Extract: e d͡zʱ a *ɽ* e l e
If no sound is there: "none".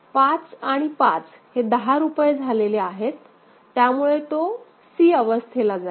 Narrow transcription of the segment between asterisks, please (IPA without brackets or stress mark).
l